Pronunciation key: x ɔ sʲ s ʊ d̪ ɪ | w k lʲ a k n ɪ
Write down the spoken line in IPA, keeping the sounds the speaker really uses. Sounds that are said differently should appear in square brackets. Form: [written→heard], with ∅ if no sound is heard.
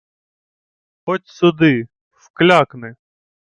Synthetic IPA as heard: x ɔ [sʲ→tʲ] s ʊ d̪ ɪ | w k lʲ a k n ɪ